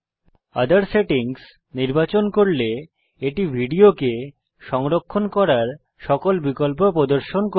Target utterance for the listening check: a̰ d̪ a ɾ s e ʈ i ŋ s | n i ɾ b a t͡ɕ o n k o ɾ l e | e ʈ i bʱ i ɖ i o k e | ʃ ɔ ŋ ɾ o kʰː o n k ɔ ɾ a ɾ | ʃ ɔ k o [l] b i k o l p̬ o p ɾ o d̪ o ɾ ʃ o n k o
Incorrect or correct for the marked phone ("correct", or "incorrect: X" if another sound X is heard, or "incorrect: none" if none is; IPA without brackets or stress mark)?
correct